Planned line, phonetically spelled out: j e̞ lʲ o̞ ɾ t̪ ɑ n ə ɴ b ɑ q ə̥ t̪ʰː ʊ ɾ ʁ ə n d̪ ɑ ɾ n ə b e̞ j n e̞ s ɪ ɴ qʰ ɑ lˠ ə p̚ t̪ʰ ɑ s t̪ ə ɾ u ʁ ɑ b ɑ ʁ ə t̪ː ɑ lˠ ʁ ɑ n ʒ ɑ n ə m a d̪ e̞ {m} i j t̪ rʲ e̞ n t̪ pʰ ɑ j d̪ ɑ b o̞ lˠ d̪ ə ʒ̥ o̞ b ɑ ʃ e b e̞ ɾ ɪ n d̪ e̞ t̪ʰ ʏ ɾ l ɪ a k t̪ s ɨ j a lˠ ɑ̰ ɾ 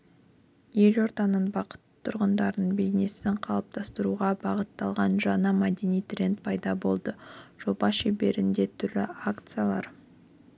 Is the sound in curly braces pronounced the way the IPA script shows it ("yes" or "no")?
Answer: no